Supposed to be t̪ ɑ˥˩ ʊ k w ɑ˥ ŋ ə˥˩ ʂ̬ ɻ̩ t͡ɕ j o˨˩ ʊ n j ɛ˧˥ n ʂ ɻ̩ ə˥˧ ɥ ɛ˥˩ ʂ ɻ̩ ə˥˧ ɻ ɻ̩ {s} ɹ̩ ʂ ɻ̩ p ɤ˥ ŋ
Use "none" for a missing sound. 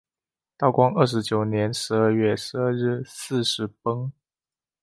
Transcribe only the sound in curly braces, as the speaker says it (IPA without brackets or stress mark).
s